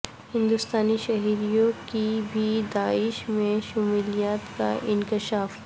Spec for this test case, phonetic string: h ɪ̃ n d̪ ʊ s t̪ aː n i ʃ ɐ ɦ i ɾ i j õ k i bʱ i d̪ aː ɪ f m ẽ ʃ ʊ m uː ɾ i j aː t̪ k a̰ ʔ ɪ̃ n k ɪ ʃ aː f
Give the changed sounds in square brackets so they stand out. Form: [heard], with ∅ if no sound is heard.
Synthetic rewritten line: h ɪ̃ n d̪ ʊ s t̪ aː n i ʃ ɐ ɦ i ɾ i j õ k i bʱ i d̪ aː ɪ [ʃ] m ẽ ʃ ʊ m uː [l] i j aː t̪ k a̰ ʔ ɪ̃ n k ɪ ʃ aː f